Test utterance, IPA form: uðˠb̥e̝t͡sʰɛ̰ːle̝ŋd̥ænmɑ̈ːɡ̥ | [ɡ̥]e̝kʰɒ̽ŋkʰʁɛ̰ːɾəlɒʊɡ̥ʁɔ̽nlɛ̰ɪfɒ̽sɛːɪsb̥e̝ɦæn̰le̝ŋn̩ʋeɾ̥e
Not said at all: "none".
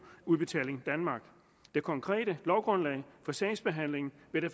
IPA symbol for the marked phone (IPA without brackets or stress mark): d̥